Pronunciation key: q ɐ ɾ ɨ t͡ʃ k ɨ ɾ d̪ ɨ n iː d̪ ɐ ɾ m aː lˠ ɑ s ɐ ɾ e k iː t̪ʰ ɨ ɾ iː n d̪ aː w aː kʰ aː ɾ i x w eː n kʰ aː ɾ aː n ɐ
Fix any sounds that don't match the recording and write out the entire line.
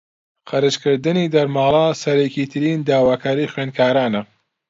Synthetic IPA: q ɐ ɾ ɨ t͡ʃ k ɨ ɾ d̪ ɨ n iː d̪ ɐ ɾ m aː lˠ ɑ s ɐ ɾ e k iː t̪ʰ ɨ ɾ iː n d̪ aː w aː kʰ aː ɾ i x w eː n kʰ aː ɾ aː n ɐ